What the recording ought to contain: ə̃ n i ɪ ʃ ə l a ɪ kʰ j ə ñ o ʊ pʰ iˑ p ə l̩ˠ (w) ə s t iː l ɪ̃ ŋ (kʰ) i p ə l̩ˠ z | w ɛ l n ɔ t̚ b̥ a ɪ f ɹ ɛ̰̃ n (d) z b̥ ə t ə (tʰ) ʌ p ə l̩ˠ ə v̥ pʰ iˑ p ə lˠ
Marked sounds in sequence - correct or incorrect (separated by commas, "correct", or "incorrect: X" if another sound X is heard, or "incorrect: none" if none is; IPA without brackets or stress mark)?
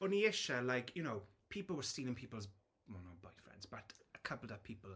correct, incorrect: pʰ, correct, incorrect: kʰ